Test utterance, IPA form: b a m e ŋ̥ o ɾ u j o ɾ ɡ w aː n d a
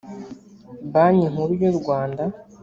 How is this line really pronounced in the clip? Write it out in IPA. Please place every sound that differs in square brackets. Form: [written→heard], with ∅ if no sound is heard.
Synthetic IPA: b a [m→ɲ] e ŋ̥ [o→u] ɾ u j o ɾ ɡ w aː n d a